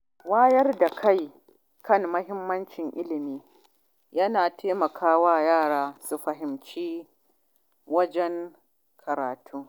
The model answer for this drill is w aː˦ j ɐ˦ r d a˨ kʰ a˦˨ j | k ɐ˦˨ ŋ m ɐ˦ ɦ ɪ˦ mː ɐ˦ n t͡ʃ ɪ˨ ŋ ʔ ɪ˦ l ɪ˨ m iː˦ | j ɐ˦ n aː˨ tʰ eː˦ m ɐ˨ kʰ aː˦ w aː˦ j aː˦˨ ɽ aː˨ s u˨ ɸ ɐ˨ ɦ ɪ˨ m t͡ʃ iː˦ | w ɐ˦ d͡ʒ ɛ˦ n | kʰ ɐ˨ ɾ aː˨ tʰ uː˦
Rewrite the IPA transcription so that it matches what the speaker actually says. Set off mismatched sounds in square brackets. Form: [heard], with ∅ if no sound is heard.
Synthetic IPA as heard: w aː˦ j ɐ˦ r d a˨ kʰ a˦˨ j | k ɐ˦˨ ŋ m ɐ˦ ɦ ɪ˦ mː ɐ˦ n t͡ʃ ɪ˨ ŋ ʔ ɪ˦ l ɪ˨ m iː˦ | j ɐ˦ n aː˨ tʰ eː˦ m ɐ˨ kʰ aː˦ w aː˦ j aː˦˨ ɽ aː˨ s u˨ ɸ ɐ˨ ɦ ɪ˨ m t͡ʃ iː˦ | w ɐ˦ d͡ʒ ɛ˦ [ŋ] | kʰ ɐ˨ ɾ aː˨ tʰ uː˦

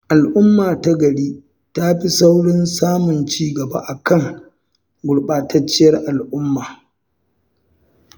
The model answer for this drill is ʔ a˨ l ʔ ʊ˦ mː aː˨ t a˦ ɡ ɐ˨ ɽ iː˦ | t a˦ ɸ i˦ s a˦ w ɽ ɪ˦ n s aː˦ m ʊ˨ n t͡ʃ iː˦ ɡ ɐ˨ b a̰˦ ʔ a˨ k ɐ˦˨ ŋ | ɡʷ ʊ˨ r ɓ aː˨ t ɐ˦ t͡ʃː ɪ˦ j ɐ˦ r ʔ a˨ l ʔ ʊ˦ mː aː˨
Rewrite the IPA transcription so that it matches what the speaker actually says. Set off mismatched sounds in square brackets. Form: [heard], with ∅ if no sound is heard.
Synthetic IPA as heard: ʔ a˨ l ʔ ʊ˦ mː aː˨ t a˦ ɡ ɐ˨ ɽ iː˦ | t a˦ ɸ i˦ s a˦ w ɽ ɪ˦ n s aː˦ m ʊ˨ n t͡ʃ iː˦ ɡ ɐ˨ b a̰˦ ʔ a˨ k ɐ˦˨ ŋ | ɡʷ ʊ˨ [ɽ] ɓ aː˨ t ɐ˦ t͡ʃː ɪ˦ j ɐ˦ r ʔ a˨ l ʔ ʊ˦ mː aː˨

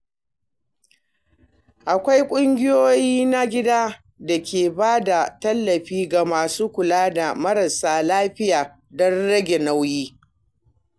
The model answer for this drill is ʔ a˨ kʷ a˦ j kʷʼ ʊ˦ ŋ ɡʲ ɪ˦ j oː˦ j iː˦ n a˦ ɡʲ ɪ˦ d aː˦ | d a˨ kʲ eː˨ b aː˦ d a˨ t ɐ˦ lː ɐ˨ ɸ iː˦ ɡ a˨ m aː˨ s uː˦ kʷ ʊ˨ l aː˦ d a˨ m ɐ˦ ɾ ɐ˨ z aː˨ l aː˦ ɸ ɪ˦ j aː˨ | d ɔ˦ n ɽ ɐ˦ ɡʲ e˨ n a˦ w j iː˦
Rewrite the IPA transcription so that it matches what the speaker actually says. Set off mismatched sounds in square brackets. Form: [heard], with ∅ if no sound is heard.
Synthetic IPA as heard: ʔ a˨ kʷ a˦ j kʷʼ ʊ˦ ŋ ɡʲ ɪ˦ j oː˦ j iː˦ n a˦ ɡʲ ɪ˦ d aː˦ | d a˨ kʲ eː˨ b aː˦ d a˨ t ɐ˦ lː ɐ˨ ɸ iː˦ ɡ a˨ m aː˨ s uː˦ kʷ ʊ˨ l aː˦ d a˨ m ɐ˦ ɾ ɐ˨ [s] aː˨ l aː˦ ɸ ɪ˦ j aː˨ | d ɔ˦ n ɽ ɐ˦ ɡʲ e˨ n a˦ w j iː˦

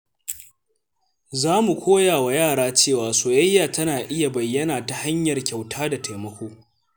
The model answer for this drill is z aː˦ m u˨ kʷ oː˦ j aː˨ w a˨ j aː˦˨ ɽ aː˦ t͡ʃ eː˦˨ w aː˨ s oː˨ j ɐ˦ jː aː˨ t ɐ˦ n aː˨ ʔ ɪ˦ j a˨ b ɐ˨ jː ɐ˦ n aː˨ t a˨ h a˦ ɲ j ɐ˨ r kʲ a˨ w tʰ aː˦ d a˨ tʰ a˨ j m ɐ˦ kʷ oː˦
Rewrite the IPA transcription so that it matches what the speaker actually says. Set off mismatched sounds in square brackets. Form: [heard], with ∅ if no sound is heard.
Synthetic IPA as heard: z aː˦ m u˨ kʷ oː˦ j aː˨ w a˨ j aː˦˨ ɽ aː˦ t͡ʃ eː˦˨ w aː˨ s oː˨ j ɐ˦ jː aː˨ t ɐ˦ n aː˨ ʔ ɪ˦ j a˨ b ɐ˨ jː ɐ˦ n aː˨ t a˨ h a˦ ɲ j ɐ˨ r kʲ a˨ w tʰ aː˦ d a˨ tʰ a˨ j m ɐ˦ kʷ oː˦

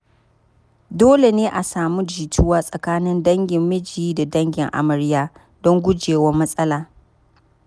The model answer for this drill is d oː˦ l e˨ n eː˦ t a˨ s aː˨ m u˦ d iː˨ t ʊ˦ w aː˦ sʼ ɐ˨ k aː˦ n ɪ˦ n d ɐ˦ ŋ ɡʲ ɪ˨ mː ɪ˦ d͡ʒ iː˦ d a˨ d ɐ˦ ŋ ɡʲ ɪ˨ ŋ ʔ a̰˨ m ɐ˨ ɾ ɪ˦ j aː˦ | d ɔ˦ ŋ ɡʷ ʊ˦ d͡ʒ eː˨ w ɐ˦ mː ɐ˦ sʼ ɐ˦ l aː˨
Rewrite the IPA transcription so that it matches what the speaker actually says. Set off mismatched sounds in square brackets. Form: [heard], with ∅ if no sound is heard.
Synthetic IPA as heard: d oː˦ l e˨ n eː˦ [ʔ] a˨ s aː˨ m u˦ [d͡ʒ] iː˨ t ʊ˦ w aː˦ sʼ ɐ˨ k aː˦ n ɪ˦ n d ɐ˦ ŋ ɡʲ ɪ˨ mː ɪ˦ d͡ʒ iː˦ d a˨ d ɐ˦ ŋ ɡʲ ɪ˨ ŋ ʔ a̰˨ m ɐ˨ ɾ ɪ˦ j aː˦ | d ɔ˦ ŋ ɡʷ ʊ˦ d͡ʒ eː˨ w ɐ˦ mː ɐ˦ sʼ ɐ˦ l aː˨

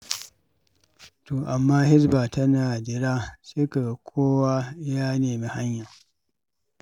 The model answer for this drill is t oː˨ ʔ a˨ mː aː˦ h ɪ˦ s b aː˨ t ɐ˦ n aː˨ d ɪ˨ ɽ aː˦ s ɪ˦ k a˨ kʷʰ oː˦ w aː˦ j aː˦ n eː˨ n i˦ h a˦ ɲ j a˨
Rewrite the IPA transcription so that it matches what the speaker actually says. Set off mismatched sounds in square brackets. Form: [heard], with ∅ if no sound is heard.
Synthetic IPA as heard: t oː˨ ʔ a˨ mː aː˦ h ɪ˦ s b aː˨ t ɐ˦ n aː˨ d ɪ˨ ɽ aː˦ s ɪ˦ k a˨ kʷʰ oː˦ w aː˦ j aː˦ n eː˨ [m] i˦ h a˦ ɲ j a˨

